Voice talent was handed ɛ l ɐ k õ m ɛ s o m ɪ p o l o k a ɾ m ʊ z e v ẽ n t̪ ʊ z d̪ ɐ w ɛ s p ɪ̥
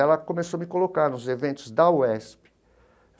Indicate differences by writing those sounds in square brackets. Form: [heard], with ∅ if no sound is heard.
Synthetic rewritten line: ɛ l ɐ k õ m [e] s o m ɪ [k] o l o k a ɾ [n] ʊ z e v ẽ n t̪ ʊ z d̪ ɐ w ɛ s p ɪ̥